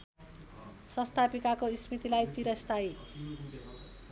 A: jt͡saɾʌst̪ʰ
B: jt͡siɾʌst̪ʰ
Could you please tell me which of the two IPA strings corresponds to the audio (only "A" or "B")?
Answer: B